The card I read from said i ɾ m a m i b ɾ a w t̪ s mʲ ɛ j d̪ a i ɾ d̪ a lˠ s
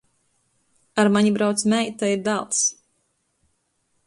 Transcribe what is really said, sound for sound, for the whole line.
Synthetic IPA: a ɾ m a ɲ i b ɾ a w t̪ s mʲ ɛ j t̪ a i ɾ d̪ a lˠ s

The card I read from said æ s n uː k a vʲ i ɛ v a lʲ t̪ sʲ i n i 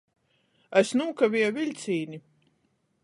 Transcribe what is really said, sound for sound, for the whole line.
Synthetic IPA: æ s n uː k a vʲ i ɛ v i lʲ t̪ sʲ iː n i

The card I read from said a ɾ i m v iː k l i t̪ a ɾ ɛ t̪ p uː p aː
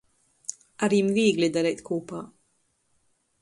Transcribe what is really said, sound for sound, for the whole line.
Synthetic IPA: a ɾ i m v iː ɡ l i d̪ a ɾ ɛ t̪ k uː p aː

